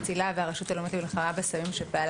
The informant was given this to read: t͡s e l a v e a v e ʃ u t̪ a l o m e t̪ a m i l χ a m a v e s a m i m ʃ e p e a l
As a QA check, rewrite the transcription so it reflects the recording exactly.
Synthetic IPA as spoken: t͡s i l a v e a ʁ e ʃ u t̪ a l o m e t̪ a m i l χ a m a b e s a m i m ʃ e p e a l